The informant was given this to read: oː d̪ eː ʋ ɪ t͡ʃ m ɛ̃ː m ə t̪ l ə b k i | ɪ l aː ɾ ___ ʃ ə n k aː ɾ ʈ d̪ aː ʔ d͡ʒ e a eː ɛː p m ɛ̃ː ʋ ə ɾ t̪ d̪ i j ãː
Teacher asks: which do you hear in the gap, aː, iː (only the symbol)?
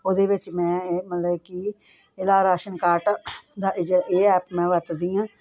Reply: aː